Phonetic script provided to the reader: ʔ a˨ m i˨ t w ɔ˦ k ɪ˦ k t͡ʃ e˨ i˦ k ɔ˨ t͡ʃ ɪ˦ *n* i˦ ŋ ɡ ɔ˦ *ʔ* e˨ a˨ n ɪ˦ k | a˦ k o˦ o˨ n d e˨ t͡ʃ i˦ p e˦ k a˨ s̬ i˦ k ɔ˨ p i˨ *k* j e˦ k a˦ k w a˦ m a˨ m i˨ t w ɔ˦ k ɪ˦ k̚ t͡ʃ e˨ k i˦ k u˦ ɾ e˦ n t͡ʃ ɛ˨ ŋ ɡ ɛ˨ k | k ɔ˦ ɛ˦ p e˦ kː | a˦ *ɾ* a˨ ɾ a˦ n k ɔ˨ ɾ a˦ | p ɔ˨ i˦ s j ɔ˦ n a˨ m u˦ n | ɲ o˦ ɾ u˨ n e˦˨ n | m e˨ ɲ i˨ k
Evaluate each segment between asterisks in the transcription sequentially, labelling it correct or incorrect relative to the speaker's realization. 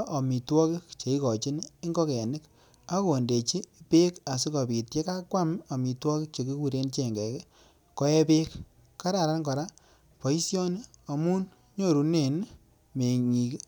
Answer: correct, incorrect: k, incorrect: t, correct

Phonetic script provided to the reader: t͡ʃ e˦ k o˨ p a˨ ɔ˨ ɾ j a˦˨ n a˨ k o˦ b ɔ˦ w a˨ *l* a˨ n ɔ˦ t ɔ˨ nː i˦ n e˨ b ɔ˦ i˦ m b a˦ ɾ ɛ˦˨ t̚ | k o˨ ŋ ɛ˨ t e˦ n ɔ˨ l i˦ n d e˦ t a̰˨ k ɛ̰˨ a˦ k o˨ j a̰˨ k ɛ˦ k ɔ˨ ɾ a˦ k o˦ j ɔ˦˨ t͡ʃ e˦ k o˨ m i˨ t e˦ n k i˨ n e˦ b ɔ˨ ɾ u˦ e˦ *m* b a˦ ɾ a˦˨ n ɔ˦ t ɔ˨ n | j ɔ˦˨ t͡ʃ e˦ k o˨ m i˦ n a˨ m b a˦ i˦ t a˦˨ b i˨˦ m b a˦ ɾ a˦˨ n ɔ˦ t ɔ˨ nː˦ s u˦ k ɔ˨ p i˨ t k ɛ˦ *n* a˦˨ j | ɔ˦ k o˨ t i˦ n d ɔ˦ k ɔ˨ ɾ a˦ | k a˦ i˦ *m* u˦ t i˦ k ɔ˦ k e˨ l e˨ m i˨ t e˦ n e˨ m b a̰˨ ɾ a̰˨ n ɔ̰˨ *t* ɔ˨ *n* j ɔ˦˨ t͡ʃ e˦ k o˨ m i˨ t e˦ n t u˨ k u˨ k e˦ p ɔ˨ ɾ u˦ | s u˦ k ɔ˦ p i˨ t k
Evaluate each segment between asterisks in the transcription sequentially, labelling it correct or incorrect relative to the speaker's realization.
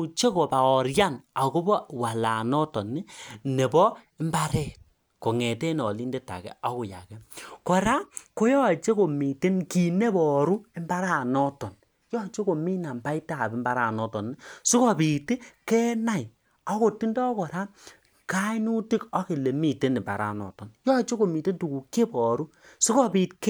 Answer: correct, correct, correct, incorrect: n, correct, correct

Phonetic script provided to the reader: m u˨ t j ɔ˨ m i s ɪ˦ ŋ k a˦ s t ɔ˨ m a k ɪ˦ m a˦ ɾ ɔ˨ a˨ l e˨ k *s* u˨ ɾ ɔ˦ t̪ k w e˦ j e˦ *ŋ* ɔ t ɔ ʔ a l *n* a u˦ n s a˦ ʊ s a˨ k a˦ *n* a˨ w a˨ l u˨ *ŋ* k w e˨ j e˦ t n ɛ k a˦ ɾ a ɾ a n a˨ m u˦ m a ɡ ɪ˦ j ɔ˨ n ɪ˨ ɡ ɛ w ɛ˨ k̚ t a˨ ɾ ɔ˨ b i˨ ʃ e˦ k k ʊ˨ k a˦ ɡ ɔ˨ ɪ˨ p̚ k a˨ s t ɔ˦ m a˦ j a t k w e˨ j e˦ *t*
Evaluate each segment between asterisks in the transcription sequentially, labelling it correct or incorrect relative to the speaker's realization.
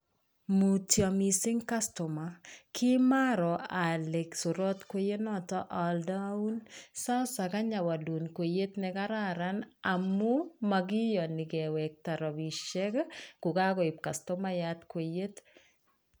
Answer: correct, incorrect: n, incorrect: d, incorrect: ɲ, incorrect: n, correct

